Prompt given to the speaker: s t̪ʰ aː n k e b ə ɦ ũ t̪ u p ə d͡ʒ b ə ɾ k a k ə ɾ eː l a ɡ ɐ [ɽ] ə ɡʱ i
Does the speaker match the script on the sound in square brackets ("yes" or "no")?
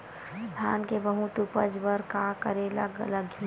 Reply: no